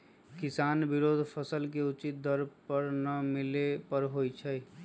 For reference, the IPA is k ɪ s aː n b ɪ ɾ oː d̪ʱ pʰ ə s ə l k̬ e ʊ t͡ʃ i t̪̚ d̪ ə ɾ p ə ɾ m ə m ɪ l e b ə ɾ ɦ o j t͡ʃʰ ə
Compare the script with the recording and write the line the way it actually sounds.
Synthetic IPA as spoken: k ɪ s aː n b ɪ ɾ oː d̪ʱ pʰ ə s ə l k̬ e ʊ t͡ʃ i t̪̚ d̪ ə ɾ p ə ɾ n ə m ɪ l e p ə ɾ ɦ o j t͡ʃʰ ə